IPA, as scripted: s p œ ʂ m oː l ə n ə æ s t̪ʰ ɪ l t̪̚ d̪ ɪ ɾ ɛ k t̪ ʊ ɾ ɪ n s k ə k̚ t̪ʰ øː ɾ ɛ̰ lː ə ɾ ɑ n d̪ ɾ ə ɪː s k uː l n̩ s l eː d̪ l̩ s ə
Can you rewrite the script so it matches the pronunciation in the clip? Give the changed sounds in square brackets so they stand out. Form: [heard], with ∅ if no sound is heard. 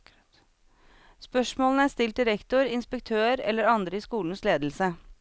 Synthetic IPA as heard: s p œ ʂ m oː l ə n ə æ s [t̪] ɪ l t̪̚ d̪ ɪ ɾ ɛ k t̪ ʊ ɾ ɪ n s [p] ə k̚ t̪ʰ øː ɾ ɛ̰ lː ə ɾ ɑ n d̪ ɾ ə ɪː s k uː l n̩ s l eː d̪ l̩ s ə